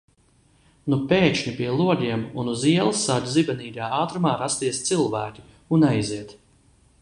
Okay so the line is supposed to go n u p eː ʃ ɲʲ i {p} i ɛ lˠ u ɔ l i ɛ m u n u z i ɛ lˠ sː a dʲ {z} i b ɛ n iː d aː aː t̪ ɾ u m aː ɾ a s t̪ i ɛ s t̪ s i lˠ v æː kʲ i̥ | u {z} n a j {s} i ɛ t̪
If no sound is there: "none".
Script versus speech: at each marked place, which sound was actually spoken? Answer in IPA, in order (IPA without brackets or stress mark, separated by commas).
p, z, none, z